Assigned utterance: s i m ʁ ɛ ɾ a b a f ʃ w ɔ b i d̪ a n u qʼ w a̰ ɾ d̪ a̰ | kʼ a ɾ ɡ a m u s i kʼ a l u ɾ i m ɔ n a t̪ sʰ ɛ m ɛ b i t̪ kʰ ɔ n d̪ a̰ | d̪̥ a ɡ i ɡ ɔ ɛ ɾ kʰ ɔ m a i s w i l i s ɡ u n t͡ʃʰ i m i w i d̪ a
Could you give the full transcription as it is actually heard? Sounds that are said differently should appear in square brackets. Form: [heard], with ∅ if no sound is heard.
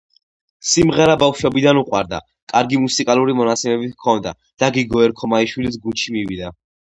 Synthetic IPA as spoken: s i m ʁ ɛ ɾ a b a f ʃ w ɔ b i d̪ a n u qʼ w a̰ ɾ d̪ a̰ | kʼ a ɾ ɡ [i] m u s i kʼ a l u ɾ i m ɔ n a t̪ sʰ ɛ m ɛ b i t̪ kʰ ɔ n d̪ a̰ | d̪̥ a ɡ i ɡ ɔ ɛ ɾ kʰ ɔ m a i [ʃ] w i l i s ɡ u n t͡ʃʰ i m i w i d̪ a